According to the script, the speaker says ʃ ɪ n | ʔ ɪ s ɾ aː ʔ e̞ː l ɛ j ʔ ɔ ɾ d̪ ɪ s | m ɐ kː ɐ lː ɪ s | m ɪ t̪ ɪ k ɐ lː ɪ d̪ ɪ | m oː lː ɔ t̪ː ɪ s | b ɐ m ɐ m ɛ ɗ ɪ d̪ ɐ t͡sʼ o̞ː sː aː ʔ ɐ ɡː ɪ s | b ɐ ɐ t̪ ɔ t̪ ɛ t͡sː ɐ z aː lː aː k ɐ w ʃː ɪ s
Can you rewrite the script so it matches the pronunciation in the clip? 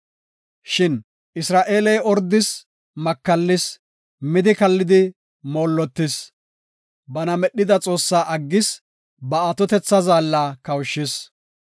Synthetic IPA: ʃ ɪ n | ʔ ɪ s ɾ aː ʔ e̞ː l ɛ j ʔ ɔ ɾ d̪ ɪ s | m ɐ kː ɐ lː ɪ s | m ɪ d̪ ɪ k ɐ lː ɪ d̪ ɪ | m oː lː ɔ t̪ː ɪ s | b ɐ n ɐ m ɛ ɗ ɪ d̪ ɐ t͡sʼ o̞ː sː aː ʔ ɐ ɡː ɪ s | b ɐ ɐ t̪ ɔ t̪ ɛ t͡sː ɐ z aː lː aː k ɐ w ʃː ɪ s